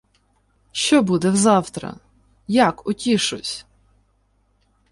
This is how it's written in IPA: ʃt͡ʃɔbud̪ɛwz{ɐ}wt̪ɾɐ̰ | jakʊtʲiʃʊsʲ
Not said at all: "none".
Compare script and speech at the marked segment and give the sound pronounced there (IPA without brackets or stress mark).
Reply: ɑ